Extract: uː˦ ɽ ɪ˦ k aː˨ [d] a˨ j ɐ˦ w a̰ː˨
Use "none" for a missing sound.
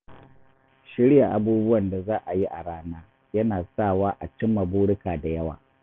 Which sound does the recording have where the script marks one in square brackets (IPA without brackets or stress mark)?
d